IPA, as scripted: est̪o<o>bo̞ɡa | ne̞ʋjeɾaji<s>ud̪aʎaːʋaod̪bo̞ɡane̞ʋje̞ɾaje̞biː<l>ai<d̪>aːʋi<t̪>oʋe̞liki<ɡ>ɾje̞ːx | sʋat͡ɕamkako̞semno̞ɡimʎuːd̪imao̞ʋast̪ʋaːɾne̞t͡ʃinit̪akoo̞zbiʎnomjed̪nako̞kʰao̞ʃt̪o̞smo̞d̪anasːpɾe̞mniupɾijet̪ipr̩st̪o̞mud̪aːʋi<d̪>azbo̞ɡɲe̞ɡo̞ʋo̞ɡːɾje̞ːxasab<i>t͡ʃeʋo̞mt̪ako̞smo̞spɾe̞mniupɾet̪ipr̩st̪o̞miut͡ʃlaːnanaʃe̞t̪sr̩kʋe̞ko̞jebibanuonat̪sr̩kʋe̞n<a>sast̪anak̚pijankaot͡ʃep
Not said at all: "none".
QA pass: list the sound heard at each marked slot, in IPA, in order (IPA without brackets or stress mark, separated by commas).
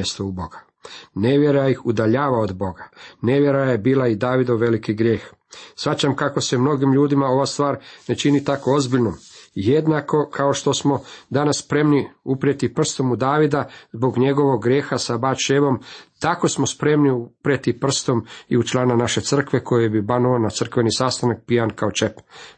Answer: u, x, l, d̪, d̪, ɡ, d̪, a, i